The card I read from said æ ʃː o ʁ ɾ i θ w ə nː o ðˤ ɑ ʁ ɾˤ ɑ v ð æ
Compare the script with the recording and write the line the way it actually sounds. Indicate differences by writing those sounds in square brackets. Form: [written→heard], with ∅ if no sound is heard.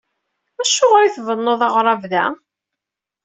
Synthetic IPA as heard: æ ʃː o ʁ ɾ i θ [w→v] ə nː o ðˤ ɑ ʁ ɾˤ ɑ v ð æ